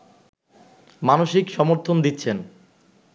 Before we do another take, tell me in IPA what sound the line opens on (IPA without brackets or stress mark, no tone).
m